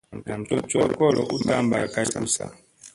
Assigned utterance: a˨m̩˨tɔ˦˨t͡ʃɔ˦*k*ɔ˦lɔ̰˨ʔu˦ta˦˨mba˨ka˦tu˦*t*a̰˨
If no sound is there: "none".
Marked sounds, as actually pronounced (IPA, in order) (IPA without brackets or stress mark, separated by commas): k, s